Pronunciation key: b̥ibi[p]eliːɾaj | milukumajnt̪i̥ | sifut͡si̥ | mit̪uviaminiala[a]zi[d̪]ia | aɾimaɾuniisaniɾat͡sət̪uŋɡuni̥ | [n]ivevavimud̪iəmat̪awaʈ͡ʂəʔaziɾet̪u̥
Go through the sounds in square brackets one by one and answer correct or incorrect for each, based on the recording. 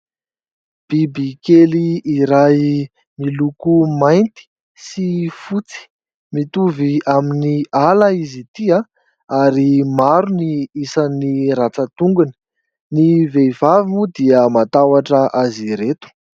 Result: incorrect: k, incorrect: i, incorrect: t̪, correct

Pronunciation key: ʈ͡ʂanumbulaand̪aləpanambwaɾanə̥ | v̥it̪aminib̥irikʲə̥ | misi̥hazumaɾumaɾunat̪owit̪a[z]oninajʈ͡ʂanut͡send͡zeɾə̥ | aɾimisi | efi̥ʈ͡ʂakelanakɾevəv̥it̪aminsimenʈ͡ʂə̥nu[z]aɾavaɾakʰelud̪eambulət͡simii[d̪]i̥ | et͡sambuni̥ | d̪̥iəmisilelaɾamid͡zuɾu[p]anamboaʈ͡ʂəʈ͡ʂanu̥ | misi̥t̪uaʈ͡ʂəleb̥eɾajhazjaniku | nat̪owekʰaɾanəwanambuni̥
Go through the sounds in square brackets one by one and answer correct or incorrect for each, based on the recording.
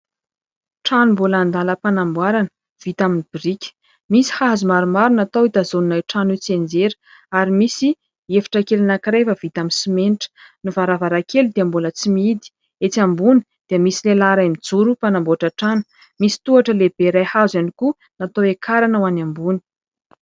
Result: correct, incorrect: v, correct, correct

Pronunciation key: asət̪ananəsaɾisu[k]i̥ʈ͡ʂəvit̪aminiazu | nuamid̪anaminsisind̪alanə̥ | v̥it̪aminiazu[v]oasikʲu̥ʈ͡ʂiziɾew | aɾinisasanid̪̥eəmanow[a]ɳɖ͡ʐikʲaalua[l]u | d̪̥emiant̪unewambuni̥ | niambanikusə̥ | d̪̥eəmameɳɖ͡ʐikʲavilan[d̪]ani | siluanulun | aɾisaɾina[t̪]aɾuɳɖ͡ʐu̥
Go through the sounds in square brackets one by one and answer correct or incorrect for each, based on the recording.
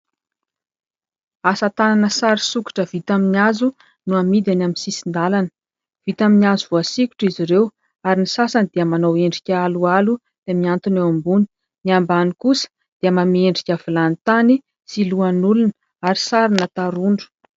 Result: correct, correct, incorrect: e, correct, incorrect: t̪, correct

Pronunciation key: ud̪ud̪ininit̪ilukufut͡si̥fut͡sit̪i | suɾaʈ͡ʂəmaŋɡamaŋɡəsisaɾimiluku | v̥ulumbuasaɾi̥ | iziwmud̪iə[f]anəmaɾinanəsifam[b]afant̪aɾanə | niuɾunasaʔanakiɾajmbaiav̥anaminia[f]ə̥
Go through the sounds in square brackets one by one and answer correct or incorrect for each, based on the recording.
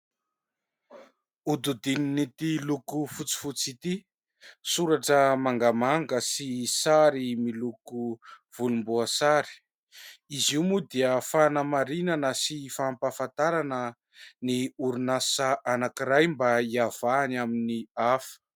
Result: correct, incorrect: p, correct

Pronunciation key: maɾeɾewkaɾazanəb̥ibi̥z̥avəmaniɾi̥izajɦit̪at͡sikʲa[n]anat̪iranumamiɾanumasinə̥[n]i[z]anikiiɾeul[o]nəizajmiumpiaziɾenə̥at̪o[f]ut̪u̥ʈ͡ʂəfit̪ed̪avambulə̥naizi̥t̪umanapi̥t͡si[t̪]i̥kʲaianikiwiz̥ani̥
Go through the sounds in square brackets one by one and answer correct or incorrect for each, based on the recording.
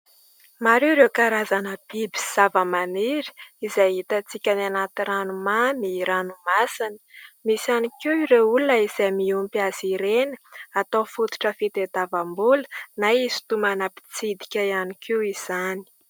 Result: correct, incorrect: m, incorrect: s, incorrect: u, correct, incorrect: d̪

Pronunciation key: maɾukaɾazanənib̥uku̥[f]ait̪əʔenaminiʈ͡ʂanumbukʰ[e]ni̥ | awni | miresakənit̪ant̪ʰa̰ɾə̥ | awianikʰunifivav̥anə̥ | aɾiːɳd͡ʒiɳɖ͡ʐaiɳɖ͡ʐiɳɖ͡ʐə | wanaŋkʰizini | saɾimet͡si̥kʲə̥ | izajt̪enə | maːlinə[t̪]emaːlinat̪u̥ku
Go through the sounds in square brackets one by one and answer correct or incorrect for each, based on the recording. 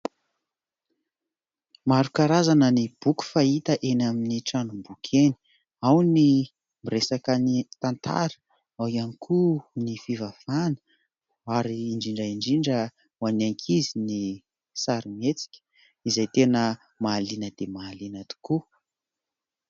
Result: correct, correct, incorrect: d̪

